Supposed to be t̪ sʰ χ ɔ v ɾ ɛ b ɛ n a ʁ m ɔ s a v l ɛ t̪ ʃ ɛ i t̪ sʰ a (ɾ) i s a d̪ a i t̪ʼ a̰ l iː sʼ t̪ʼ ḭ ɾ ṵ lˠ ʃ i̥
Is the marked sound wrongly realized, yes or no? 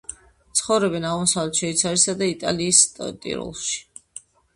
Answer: no